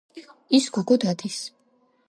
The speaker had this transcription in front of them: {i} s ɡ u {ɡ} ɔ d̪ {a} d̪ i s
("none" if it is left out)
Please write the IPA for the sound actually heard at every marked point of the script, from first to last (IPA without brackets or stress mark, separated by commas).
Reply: i, ɡ, a